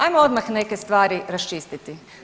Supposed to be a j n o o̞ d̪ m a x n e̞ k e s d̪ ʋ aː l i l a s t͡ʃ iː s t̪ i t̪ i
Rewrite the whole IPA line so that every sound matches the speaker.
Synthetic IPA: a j m o o̞ d̪ m a x n e̞ k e s t̪ ʋ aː ɾ i ɾ a s t͡ʃ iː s t̪ i t̪ i